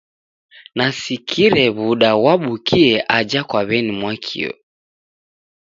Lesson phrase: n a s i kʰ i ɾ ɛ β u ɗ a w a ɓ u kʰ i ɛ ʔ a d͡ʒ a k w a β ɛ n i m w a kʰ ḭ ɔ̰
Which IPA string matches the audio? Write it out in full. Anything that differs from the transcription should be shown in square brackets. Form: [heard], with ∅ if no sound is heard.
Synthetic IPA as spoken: n a s i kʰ i ɾ ɛ β u ɗ a w a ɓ u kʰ i ɛ ʔ a d͡ʒ a k w a β ɛ n i m w a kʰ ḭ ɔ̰